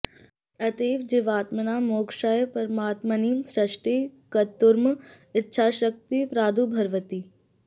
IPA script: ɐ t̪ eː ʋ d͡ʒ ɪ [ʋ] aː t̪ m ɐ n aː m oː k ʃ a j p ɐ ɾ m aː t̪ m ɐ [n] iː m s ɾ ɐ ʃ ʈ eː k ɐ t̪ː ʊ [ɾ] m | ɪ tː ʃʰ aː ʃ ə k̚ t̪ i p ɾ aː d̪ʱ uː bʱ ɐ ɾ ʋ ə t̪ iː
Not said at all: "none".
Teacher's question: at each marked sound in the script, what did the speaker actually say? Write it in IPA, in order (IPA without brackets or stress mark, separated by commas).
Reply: ʋ, n, ɾ